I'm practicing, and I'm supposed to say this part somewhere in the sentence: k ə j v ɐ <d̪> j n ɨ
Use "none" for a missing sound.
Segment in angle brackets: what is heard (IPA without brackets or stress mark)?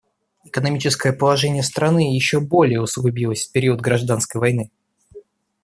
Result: none